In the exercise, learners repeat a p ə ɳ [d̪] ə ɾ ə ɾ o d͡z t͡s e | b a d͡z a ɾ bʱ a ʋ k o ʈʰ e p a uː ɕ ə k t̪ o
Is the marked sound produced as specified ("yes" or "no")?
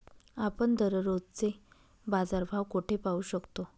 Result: yes